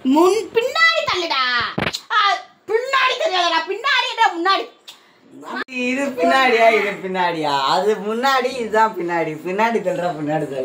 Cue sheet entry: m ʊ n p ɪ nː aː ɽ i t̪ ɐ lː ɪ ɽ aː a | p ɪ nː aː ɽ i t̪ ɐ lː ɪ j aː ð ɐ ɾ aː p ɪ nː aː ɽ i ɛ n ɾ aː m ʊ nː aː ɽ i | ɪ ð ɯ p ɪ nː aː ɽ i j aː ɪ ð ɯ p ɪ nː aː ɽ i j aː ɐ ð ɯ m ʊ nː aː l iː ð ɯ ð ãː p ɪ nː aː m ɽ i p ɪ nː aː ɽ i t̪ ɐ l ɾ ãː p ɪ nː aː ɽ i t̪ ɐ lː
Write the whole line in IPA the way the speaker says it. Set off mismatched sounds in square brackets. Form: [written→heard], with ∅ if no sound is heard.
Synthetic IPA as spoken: m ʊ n p ɪ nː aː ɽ i t̪ ɐ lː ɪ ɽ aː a | p ɪ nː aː ɽ i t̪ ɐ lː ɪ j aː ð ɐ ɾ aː p ɪ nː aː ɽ i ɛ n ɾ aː m ʊ nː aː ɽ i | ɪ ð ɯ p ɪ nː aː ɽ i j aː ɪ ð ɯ p ɪ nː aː ɽ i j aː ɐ ð ɯ m ʊ nː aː [l→ɽ] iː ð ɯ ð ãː p ɪ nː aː [m→∅] ɽ i p ɪ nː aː ɽ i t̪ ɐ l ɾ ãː p ɪ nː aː ɽ i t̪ ɐ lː